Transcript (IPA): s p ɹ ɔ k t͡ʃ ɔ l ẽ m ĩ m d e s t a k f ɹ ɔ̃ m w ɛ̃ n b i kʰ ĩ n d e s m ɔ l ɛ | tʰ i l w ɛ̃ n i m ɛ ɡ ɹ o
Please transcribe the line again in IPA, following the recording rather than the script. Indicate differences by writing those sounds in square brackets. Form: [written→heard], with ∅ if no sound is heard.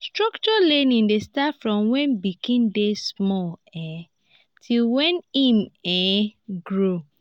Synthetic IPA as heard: s [p→t] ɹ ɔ k t͡ʃ ɔ l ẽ [m→n] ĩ [m→n] d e s t a [k→∅] f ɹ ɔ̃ m w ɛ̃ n b i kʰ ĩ n d e s m ɔ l ɛ | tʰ i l w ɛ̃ n i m ɛ ɡ ɹ o